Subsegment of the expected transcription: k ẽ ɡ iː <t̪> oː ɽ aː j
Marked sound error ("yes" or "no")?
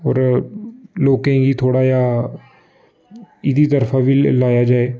yes